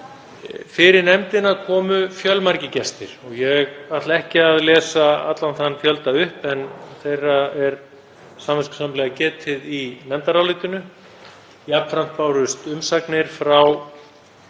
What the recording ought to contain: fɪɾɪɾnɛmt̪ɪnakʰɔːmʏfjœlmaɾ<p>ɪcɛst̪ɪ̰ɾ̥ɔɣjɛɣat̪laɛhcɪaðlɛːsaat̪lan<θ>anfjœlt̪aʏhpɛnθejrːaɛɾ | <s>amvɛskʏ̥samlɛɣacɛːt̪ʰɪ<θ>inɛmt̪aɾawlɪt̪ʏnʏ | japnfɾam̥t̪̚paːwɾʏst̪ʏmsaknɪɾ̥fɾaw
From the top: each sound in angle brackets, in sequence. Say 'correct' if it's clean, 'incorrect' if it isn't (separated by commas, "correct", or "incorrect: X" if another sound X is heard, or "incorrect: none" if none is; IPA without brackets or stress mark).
incorrect: c, correct, correct, incorrect: ð